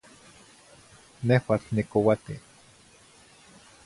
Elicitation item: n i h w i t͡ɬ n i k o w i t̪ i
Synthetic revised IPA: n e h w a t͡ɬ n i k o w a t̪ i